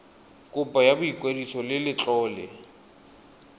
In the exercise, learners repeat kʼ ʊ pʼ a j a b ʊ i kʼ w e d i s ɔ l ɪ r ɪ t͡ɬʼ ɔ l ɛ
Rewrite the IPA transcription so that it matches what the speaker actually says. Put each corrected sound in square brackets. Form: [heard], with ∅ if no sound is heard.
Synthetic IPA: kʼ ʊ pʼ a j a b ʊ i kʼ w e d i s ɔ l ɪ [l] ɪ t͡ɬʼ [ɔː] l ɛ